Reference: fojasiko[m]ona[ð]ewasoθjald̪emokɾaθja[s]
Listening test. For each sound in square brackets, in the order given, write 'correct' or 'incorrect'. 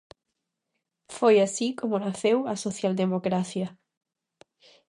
correct, incorrect, incorrect

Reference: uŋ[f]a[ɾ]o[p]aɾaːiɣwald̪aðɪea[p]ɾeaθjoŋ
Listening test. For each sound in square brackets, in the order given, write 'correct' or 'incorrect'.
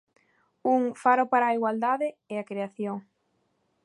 correct, correct, correct, incorrect

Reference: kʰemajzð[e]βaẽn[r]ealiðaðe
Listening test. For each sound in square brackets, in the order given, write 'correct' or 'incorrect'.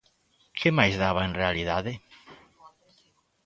incorrect, correct

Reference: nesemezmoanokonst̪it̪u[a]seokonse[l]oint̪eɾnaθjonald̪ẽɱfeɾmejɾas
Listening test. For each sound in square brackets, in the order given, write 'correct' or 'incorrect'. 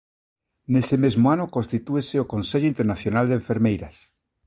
incorrect, incorrect

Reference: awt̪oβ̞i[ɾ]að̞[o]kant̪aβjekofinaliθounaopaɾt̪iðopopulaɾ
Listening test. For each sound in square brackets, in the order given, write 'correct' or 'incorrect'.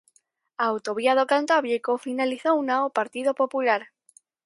incorrect, correct

